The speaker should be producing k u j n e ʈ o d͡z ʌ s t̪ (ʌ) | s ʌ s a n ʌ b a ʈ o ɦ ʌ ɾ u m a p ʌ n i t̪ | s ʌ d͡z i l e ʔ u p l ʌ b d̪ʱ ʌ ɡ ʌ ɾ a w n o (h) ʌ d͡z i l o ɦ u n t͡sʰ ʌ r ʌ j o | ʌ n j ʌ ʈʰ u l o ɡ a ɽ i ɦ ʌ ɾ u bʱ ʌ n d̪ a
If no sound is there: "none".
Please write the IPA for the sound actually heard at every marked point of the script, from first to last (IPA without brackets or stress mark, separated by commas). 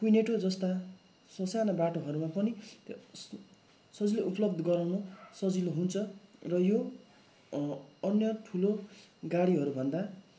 a, s